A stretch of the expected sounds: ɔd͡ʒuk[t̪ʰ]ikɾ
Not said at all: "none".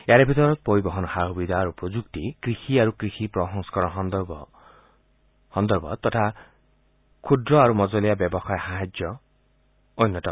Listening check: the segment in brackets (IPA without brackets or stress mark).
t̪